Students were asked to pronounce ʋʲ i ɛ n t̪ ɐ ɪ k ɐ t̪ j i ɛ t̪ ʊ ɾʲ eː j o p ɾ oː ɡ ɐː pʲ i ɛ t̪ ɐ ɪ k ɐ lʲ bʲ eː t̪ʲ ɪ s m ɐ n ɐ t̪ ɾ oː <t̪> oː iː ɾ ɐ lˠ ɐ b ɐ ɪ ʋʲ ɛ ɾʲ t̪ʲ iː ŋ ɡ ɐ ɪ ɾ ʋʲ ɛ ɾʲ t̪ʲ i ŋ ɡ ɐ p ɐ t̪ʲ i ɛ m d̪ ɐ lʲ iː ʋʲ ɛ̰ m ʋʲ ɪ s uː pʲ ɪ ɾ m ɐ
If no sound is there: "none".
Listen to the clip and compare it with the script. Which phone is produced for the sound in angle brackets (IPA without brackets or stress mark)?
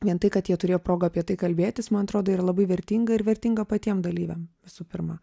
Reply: d̪